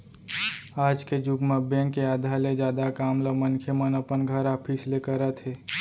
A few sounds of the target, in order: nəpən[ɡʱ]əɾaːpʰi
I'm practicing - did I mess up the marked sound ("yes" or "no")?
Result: no